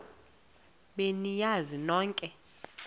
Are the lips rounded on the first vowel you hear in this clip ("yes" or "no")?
no